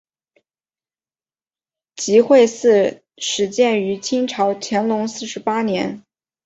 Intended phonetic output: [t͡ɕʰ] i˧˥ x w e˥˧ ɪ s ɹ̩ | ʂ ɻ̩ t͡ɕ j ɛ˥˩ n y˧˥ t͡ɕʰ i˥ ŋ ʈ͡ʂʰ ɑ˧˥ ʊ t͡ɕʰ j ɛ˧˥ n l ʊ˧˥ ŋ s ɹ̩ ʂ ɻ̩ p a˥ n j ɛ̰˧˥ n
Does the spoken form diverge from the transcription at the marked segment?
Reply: yes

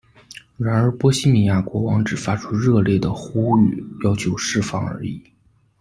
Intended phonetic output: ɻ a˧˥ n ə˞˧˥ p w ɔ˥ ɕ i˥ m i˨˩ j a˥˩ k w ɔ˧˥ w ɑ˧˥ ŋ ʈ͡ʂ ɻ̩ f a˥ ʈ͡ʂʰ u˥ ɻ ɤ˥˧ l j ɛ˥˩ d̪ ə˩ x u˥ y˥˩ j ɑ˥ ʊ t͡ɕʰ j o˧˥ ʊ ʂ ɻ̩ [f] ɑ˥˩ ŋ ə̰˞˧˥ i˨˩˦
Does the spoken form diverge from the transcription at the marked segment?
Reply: no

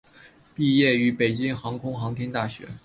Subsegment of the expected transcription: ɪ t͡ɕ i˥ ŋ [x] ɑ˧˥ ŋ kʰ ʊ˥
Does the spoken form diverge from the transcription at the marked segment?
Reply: no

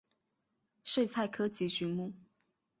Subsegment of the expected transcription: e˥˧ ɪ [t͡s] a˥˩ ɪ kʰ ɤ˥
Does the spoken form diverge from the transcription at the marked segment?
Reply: yes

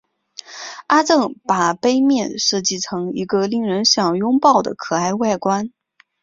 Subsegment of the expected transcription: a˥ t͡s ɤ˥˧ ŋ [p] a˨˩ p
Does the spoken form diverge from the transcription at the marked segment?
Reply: no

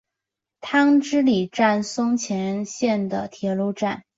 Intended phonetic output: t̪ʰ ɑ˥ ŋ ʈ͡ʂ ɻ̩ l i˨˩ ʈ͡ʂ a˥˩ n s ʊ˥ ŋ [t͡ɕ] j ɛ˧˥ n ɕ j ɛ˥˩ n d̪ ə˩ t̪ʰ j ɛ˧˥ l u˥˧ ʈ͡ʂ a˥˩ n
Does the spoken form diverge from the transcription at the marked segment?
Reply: yes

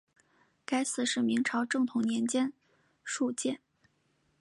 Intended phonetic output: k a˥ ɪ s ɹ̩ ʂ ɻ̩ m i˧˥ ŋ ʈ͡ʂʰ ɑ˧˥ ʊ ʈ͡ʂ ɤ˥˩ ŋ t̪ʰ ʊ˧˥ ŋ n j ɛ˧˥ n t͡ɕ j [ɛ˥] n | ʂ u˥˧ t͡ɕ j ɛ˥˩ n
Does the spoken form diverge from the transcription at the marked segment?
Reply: no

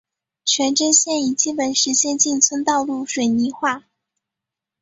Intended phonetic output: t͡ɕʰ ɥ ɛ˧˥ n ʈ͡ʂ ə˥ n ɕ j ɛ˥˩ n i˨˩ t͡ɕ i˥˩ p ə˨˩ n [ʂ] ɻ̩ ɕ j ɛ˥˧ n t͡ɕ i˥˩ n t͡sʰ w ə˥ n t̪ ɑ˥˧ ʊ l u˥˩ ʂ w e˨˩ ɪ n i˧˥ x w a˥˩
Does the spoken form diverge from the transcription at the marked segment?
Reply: no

